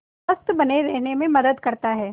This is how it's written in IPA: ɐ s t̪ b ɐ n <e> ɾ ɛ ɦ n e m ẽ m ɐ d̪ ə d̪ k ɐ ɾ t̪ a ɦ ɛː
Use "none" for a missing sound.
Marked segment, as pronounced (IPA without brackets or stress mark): e